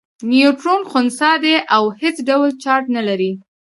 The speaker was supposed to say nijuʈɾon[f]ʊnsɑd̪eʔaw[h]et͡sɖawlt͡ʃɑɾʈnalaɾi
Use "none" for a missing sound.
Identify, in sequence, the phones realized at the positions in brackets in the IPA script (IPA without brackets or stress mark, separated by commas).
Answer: x, h